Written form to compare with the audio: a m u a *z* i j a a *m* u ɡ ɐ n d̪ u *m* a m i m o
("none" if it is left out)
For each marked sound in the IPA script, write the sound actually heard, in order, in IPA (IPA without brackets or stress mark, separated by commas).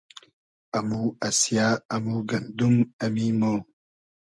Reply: s, m, m